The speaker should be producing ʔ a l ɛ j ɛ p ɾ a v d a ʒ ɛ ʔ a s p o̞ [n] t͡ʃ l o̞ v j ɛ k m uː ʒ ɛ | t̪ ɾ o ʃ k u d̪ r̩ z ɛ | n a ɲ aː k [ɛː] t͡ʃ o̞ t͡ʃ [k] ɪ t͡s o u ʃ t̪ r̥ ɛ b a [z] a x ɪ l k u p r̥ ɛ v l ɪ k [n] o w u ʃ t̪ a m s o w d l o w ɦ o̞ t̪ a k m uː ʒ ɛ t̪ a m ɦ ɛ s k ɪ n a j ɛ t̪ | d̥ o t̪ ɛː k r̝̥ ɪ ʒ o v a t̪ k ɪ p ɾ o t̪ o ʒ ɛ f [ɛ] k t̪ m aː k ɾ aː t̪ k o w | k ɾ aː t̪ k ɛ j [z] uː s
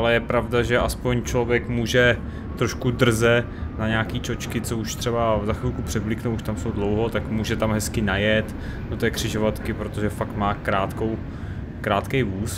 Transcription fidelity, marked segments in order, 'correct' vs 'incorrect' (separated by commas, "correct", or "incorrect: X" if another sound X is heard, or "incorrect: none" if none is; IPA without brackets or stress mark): incorrect: ɲ, incorrect: iː, correct, correct, correct, incorrect: a, incorrect: v